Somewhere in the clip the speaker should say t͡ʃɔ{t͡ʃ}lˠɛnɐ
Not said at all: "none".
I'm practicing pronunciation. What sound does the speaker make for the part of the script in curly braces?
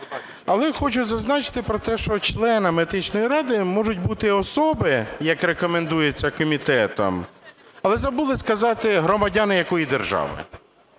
t͡ʃ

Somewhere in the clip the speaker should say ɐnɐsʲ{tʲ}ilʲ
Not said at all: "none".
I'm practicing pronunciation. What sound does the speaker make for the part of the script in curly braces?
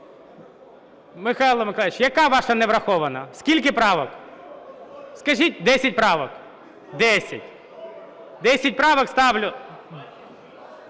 kʲ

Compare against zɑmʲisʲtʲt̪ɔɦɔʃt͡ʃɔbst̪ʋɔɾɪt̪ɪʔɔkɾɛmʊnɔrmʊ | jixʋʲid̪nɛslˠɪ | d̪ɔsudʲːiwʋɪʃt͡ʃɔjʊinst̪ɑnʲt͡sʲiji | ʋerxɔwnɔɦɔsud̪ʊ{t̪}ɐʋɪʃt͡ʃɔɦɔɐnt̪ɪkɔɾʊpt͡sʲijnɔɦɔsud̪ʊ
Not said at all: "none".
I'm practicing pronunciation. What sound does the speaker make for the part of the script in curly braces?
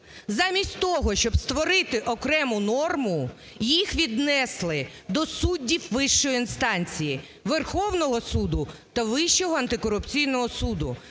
t̪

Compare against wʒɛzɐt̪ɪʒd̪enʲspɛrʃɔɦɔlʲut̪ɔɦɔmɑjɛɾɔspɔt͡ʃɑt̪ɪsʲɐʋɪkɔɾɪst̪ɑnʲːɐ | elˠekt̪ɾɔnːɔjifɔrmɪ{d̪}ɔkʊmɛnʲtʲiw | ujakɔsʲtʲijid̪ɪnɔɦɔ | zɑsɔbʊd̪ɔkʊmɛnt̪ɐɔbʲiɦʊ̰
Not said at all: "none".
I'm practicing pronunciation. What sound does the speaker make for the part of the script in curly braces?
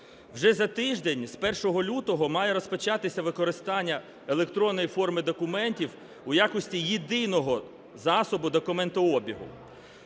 d̪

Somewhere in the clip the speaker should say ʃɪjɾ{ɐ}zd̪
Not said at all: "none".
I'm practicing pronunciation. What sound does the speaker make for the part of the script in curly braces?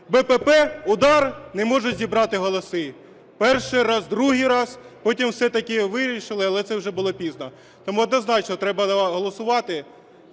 ɑ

